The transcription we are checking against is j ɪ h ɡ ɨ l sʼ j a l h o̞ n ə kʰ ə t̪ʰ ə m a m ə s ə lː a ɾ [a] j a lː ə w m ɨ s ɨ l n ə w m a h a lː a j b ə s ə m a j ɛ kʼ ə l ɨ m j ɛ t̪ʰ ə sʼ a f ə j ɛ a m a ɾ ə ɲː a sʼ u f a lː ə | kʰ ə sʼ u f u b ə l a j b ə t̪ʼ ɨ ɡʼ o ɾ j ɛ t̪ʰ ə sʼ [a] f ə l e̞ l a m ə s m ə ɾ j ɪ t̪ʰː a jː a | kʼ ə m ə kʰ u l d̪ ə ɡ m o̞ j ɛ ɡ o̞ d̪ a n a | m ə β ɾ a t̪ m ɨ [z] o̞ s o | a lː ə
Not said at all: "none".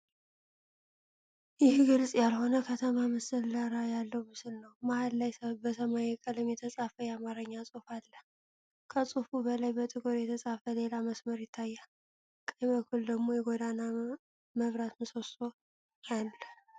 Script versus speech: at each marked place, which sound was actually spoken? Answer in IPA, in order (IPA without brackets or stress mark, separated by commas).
a, a, s